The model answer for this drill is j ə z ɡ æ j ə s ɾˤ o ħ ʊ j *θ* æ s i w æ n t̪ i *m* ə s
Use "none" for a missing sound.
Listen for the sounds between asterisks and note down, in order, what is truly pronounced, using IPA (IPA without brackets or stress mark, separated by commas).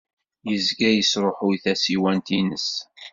θ, n